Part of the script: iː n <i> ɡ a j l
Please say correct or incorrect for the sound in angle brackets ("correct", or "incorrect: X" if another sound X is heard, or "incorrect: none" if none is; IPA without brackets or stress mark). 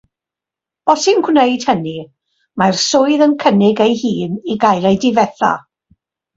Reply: correct